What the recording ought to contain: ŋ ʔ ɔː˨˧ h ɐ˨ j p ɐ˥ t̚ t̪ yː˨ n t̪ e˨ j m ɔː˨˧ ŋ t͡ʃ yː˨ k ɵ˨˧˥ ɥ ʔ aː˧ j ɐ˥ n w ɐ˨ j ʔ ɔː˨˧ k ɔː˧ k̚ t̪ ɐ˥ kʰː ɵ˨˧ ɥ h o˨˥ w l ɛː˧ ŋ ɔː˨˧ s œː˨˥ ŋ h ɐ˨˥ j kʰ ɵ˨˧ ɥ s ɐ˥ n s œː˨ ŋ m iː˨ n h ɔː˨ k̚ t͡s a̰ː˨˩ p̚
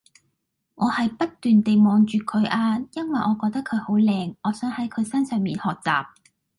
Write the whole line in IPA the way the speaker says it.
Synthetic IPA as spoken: ŋ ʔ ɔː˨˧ h ɐ˨ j p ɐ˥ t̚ t̪ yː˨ n t̪ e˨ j m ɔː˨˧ ŋ t͡ʃ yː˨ kʰ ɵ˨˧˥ ɥ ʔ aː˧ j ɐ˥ n w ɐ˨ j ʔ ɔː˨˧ k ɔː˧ k̚ t̪ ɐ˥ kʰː ɵ˨˧ ɥ h o˨˥ w l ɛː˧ ŋ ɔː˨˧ s œː˨˥ ŋ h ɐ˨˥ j kʰ ɵ˨˧ ɥ s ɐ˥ n s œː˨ ŋ m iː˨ n h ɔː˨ k̚ t͡s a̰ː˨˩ p̚